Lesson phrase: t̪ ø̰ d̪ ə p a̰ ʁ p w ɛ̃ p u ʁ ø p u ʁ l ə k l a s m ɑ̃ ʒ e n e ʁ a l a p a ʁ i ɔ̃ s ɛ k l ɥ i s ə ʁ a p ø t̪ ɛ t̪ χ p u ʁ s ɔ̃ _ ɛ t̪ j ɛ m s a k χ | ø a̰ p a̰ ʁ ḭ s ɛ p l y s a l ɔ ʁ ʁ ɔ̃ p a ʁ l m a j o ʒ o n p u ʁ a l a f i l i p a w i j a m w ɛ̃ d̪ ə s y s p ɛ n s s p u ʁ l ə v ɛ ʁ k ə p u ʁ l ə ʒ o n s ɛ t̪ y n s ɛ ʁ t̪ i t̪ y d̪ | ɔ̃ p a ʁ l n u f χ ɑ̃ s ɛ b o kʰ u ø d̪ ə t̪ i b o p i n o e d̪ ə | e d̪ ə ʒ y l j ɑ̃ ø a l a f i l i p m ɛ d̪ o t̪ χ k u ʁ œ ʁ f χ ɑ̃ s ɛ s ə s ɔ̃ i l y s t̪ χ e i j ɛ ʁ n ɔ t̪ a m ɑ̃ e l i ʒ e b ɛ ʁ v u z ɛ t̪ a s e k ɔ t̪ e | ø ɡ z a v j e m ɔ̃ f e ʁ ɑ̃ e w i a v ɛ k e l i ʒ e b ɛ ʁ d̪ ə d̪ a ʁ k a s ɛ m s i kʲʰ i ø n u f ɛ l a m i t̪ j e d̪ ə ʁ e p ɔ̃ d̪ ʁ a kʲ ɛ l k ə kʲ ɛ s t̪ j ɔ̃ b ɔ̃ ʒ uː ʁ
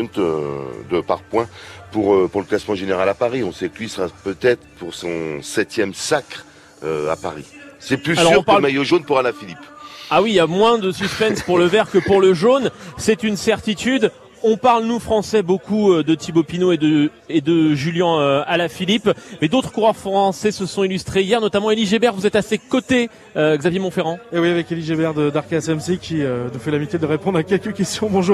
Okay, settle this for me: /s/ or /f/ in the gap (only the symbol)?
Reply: s